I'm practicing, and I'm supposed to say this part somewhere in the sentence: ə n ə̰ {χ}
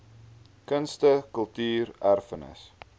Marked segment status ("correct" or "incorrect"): incorrect